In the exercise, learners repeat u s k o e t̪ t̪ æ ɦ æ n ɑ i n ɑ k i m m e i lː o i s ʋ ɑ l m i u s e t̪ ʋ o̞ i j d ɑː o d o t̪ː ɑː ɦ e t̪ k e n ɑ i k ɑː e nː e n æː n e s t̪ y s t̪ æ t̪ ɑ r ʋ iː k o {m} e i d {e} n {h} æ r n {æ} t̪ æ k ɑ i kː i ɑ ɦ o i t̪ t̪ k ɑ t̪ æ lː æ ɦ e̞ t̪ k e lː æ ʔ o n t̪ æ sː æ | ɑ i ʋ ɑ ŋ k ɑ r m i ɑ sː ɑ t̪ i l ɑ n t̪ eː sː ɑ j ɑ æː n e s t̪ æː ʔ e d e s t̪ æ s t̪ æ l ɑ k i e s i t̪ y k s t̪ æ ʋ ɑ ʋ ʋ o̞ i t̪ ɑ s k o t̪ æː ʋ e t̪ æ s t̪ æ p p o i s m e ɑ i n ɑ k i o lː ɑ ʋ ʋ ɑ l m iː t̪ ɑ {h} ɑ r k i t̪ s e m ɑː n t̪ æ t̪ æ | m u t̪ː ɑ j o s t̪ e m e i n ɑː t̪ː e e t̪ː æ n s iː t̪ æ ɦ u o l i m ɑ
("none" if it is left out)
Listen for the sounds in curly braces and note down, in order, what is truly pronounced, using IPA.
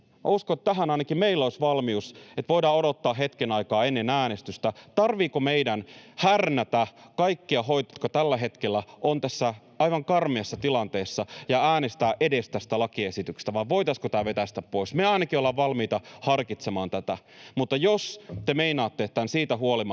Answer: m, æ, h, æ, h

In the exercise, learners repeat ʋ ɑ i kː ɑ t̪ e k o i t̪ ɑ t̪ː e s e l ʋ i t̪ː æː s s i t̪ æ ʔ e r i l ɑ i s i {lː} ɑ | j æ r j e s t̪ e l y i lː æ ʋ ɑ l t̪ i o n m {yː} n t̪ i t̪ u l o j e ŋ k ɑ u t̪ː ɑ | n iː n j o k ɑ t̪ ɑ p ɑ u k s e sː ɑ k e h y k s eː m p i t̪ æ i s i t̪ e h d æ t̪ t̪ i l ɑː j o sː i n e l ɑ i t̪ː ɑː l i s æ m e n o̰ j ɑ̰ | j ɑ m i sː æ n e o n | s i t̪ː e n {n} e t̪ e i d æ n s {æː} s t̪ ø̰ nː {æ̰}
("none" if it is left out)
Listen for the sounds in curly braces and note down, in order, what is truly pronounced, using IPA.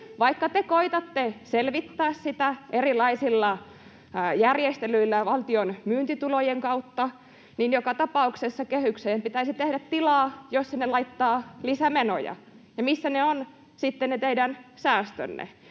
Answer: lː, yː, n, æː, ḛ

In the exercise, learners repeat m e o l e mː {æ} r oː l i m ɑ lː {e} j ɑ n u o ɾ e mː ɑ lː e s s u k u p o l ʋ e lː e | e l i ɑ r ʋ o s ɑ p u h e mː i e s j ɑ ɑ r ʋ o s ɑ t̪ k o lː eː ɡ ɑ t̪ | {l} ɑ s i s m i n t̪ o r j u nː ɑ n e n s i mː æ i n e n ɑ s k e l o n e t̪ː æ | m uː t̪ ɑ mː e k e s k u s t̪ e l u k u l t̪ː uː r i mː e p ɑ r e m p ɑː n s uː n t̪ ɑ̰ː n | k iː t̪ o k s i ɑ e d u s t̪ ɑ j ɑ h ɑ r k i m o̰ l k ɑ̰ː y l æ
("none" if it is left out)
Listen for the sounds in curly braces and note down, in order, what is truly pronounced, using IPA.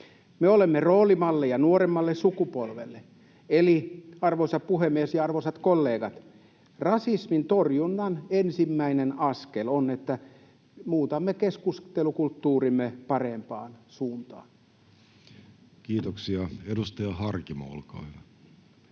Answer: e, e, r

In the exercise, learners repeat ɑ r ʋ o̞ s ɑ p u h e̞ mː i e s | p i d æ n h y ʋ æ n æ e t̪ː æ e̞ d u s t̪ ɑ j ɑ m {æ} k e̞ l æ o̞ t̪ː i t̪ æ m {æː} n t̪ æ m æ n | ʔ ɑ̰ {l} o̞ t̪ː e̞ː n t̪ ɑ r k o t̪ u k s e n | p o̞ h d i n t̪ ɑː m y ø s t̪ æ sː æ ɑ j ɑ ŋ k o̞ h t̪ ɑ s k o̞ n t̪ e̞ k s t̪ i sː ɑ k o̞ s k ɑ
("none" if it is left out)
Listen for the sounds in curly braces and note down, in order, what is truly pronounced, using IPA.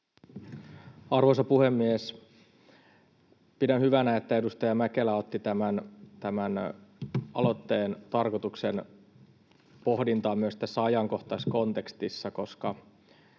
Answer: æ, æ, l

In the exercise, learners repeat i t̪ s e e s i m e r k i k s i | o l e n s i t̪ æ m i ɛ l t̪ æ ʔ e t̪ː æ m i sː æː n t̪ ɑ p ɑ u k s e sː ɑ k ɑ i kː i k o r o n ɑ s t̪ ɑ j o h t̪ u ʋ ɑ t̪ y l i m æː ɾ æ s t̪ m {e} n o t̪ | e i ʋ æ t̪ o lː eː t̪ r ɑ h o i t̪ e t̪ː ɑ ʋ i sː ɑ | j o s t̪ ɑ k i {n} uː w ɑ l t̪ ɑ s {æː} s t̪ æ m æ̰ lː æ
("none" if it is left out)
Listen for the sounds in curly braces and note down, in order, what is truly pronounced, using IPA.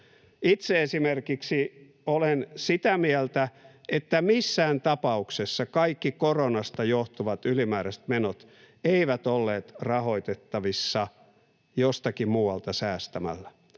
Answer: e, m, æː

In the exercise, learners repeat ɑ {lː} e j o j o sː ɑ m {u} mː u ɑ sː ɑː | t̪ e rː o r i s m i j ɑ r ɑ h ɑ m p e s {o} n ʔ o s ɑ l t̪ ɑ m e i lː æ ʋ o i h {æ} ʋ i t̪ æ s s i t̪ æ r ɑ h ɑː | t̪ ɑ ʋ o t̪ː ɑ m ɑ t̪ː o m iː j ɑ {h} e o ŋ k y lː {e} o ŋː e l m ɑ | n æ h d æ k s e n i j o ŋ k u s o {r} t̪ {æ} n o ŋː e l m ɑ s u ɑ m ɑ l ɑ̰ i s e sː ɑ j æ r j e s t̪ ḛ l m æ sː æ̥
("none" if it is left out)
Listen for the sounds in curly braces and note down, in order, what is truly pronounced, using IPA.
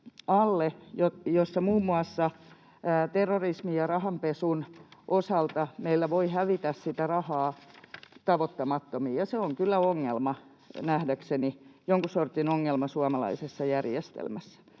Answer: lː, uː, u, æ, s, æ, r, i

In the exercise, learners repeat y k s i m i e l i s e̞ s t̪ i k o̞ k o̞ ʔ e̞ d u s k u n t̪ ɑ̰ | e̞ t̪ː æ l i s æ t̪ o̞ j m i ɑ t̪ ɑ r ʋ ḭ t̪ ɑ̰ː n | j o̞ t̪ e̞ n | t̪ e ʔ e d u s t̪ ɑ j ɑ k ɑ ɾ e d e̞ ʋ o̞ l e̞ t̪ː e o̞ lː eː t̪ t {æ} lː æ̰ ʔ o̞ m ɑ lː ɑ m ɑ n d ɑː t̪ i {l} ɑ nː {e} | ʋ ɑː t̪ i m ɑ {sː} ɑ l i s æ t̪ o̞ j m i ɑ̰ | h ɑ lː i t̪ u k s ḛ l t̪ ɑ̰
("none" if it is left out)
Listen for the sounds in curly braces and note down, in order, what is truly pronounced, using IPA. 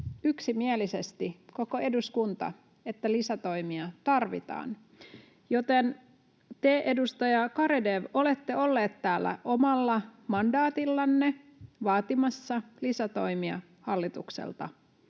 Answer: æː, lː, e, sː

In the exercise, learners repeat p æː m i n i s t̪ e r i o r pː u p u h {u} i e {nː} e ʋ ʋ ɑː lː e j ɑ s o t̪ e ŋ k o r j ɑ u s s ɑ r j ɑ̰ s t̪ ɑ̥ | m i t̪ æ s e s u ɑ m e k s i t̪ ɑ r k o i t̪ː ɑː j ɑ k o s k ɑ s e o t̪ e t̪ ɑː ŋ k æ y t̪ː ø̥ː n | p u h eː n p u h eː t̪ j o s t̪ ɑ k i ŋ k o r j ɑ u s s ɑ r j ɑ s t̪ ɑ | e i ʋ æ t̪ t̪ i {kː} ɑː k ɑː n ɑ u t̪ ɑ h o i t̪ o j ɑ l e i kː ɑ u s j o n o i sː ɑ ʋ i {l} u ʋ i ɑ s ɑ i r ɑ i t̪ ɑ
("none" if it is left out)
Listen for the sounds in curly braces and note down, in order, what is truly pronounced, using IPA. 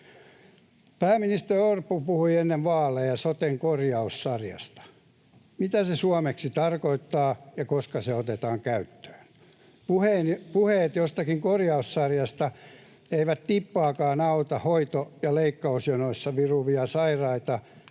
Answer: u, nː, pː, r

